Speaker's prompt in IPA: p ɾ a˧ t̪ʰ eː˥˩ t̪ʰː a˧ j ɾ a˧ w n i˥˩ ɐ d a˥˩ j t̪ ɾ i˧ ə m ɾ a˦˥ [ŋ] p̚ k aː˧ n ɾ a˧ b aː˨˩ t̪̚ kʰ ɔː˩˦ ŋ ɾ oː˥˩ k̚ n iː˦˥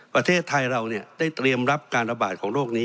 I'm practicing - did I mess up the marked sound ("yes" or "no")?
yes